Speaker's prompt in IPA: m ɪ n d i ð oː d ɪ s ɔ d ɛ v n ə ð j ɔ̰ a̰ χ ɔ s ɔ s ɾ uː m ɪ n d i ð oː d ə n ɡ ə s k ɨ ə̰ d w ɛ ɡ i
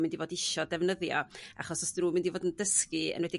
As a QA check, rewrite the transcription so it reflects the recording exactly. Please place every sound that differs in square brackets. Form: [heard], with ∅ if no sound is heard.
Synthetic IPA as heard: m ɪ n d i [v] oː d ɪ [ʃ] ɔ d ɛ v n ə ð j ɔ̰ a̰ χ ɔ s ɔ s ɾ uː m ɪ n d i [v] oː d ə n [d] ə s k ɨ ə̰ [n] w ɛ [d] i